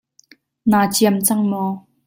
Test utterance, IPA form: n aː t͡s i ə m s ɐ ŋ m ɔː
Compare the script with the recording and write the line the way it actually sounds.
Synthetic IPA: n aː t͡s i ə m t͡s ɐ ŋ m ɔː

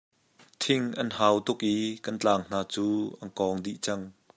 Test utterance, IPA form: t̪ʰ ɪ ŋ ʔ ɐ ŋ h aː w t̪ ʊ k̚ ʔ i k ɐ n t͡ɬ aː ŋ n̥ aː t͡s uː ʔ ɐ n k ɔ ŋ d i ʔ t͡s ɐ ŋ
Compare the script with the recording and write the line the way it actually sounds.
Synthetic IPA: t̪ʰ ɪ ŋ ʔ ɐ n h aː w t̪ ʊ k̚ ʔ i k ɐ n t͡ɬ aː ŋ n̥ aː t͡s uː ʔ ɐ n k ɔ ŋ d i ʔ t͡s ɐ ŋ

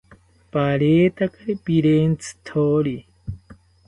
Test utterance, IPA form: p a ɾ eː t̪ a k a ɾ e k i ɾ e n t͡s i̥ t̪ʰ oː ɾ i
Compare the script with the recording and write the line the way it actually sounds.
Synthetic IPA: p a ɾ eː t̪ a k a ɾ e p i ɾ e n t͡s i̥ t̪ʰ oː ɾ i

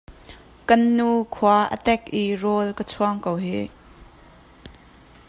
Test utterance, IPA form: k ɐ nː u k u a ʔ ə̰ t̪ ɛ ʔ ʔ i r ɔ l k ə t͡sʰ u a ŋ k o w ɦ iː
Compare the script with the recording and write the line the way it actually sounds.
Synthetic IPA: k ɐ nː u kʰ u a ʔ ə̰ t̪ ɛ k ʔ i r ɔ l k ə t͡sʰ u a ŋ k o w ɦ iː

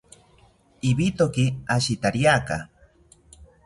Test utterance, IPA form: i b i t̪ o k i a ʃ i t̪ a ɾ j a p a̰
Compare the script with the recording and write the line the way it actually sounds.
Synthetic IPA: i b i t̪ o k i a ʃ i t̪ a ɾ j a k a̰

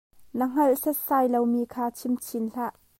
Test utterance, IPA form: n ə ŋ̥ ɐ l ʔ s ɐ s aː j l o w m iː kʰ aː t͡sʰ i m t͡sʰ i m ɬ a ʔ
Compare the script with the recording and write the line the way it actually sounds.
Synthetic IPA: n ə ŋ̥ ɐ l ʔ s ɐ s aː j l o w m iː kʰ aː t͡sʰ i m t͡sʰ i n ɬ a ʔ

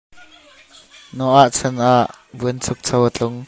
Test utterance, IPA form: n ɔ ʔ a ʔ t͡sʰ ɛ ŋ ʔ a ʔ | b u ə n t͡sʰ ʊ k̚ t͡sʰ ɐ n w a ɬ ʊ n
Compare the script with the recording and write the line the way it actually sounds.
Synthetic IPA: n ɔ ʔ a ʔ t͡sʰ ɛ n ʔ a ʔ | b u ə n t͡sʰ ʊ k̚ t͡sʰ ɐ w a t͡ɬ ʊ ŋ

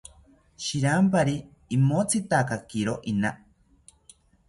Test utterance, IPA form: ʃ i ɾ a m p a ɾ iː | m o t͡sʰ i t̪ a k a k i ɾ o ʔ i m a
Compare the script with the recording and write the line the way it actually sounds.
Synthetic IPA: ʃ i ɾ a m p a ɾ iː | m o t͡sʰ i t̪ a k a k i ɾ o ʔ i n a

